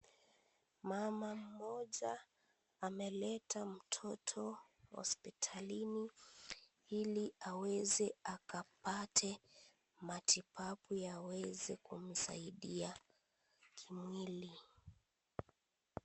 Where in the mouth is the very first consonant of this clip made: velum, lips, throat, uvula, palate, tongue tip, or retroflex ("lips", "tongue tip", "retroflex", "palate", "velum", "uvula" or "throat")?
lips